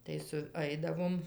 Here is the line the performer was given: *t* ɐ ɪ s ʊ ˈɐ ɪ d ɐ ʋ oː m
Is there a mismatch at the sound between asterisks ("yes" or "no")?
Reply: no